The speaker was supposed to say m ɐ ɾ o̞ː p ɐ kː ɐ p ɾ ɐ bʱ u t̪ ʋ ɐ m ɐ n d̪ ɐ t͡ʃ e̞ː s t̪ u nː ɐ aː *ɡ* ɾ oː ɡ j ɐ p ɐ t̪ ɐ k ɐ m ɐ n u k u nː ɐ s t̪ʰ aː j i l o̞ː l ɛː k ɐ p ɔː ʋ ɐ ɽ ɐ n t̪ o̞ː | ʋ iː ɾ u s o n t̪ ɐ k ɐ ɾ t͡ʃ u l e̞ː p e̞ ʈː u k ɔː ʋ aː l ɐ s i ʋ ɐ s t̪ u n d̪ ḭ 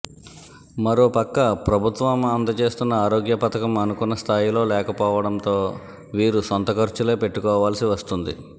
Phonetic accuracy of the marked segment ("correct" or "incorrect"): incorrect